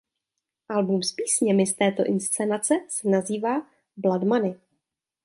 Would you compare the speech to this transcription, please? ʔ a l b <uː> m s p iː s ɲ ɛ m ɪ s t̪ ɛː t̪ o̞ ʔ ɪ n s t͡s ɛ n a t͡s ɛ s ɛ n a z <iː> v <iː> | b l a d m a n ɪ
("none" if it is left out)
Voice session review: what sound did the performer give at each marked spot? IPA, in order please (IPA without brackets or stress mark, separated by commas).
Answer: u, iː, aː